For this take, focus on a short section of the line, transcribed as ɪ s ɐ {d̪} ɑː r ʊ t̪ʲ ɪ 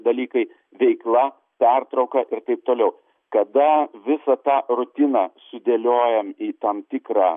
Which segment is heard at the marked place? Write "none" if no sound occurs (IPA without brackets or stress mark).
t̪